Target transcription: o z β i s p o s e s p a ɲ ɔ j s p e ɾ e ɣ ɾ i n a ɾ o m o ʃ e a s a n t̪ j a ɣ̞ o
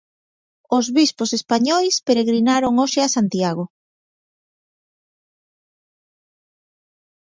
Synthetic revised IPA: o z β i s p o s e s p a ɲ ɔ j s p e ɾ e ɣ ɾ i n a ɾ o ŋ o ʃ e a s a n t̪ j a ɣ̞ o